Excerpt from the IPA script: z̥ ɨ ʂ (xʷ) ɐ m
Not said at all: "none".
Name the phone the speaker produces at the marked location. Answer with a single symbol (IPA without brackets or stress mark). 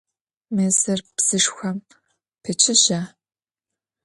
xʷ